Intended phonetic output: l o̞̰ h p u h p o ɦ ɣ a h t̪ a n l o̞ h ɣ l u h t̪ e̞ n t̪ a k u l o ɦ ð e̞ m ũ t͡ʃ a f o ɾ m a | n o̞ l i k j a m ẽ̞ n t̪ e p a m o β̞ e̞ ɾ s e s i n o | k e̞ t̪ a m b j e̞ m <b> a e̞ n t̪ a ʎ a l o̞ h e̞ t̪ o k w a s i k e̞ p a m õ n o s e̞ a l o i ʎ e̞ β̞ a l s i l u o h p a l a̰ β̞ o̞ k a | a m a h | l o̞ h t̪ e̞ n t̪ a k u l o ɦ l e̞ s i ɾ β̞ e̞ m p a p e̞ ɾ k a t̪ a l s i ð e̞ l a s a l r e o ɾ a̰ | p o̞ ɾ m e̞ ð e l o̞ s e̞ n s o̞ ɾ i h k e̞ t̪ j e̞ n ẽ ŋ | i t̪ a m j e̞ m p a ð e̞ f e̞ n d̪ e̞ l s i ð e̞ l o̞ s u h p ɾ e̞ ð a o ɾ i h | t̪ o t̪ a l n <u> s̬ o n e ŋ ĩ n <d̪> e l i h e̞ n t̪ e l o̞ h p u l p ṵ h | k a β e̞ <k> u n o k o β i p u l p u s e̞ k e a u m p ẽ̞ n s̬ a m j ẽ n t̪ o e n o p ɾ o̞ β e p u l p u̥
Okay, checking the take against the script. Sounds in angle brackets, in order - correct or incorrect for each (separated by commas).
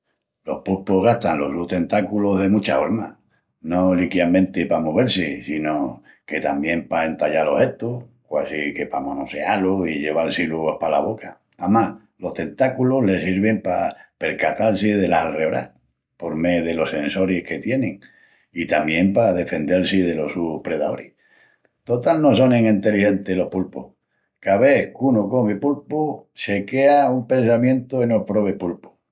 incorrect, incorrect, incorrect, correct